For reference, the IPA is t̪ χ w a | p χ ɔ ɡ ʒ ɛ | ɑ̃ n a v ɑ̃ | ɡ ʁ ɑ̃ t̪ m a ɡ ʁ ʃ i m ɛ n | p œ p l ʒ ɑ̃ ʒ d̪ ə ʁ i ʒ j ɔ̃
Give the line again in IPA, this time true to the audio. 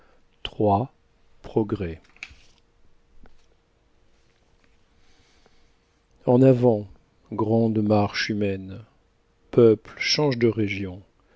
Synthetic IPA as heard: t̪ χ w a | p χ ɔ ɡ ʁ ɛ | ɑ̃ n a v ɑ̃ | ɡ ʁ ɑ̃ d̪ m a ʁ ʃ y m ɛ n | p œ p l ʃ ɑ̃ ʒ d̪ ə ʁ e ʒ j ɔ̃